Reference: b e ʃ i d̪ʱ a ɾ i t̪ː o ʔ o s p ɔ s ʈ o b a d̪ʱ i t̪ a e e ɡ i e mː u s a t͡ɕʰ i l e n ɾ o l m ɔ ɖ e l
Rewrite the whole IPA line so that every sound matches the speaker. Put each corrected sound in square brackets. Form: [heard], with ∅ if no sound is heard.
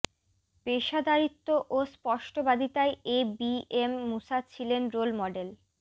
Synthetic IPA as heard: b e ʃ [a] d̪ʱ a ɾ i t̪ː o ʔ o s p ɔ [ʃ] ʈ o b a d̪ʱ i t̪ a e e [b] i e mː u s a t͡ɕʰ i l e n ɾ o l m ɔ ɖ e l